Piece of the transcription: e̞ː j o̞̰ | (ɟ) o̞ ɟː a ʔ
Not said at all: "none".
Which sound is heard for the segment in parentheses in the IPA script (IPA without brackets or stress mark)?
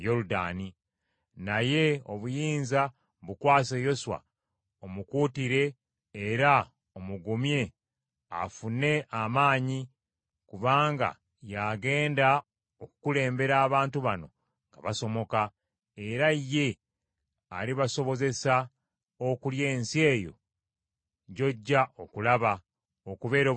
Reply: ɟ